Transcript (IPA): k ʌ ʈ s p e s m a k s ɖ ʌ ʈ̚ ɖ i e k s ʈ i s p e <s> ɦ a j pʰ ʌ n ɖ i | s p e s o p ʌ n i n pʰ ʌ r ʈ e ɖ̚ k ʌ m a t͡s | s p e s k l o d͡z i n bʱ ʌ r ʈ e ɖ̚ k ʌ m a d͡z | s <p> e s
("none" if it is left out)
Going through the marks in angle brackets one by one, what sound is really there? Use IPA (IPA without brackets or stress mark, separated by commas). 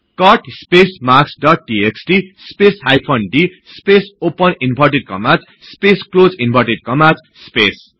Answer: s, p